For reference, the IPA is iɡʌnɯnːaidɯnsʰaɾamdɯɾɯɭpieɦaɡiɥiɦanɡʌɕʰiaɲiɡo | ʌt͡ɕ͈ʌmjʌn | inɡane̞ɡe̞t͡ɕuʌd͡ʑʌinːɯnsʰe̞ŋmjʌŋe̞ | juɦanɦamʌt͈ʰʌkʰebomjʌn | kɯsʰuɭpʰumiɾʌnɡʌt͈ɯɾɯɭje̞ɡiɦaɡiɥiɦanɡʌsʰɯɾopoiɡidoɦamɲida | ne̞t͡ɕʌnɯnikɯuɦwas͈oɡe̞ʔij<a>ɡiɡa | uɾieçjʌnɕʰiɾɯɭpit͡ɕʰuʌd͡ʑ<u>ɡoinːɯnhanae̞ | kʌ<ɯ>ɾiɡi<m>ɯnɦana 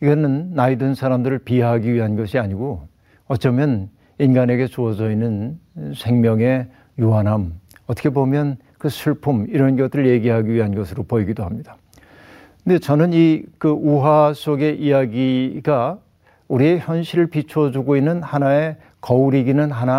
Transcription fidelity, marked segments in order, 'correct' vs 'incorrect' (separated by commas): correct, correct, incorrect, incorrect